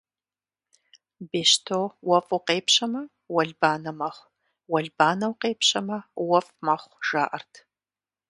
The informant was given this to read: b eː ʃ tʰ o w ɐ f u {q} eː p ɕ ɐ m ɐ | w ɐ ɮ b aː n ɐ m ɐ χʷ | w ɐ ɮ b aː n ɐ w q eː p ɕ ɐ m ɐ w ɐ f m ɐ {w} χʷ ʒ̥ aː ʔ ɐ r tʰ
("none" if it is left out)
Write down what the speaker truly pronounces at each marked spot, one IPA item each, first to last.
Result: q, none

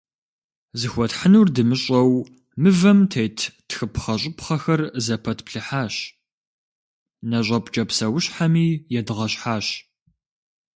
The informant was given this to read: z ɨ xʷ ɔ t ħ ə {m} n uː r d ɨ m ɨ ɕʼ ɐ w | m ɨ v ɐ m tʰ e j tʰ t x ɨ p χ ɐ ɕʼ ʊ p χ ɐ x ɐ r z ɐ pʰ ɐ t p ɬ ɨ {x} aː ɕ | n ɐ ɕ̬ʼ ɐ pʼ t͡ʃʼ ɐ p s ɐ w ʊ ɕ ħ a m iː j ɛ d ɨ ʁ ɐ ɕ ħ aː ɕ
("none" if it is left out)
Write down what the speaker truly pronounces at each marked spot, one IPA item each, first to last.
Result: none, ħ

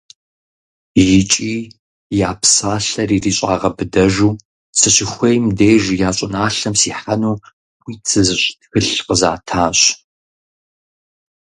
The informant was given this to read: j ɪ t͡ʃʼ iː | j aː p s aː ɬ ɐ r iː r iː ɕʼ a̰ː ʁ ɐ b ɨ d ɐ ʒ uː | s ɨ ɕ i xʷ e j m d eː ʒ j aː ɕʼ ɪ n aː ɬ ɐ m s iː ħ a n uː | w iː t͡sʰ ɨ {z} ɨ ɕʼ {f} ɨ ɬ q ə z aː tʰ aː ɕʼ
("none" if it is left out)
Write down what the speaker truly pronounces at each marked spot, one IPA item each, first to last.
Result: z, x

